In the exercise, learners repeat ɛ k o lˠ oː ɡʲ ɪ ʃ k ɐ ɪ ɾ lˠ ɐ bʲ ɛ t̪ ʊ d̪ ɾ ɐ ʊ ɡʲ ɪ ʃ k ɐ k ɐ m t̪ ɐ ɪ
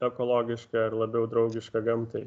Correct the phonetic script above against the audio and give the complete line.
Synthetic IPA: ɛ k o lˠ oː ɡʲ ɪ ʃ k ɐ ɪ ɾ lˠ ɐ bʲ ɛ ʊ d̪ ɾ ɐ ʊ ɡʲ ɪ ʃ k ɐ ɡ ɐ m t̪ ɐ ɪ